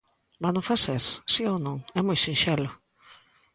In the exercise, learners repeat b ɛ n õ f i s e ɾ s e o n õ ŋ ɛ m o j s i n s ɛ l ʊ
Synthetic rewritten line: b a n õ f a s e ɾ s i o n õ ŋ ɛ m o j s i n ʃ ɛ l ʊ